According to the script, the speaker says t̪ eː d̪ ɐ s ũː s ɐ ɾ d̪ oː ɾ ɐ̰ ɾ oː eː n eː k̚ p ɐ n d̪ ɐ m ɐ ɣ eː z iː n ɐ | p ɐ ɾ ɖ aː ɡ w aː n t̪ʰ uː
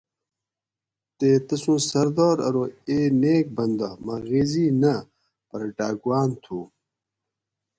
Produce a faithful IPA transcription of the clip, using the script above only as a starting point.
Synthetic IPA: t̪ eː t̪ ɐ s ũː s ɐ ɾ d̪ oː ɾ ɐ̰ ɾ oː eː n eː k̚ b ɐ n d̪ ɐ m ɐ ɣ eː z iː n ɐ | p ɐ ɾ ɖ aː ɡ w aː n t̪ʰ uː